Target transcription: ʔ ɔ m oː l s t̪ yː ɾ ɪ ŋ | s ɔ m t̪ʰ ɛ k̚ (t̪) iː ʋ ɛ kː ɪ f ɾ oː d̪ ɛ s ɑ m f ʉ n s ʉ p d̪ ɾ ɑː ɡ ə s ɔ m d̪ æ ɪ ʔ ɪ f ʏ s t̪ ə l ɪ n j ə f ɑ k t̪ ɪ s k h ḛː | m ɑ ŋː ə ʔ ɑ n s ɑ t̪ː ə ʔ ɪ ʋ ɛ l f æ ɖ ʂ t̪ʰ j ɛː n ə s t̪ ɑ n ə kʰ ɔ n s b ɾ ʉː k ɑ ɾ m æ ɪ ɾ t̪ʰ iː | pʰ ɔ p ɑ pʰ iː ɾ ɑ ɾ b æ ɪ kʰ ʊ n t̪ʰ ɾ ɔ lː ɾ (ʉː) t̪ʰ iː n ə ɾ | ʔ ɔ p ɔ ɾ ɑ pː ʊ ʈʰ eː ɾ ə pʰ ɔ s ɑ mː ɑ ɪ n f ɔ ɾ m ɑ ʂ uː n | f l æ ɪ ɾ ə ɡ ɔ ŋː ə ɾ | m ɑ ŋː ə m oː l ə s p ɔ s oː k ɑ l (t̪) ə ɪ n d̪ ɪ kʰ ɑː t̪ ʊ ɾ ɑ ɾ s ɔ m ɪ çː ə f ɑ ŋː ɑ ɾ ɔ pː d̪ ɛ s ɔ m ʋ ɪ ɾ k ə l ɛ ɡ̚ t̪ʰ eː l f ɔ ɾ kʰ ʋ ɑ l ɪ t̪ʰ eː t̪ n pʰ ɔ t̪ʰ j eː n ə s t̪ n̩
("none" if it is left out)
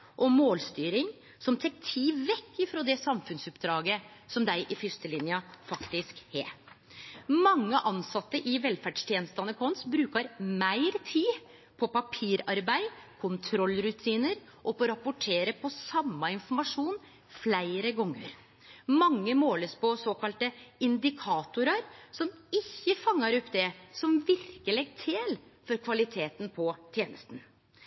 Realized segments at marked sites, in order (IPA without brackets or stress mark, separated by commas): t̪ʰ, ʉ, t̪